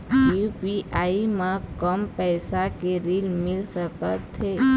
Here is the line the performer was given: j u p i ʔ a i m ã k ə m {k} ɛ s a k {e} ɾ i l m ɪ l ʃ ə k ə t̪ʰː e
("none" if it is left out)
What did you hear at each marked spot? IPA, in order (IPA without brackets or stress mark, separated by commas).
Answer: p, e